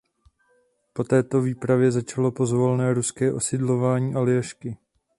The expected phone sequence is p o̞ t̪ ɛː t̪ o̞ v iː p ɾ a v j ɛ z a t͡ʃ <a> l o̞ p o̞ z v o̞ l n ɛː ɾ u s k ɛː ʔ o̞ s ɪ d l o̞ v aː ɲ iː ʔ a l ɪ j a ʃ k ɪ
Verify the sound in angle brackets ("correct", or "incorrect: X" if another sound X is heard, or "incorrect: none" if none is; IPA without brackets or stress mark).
correct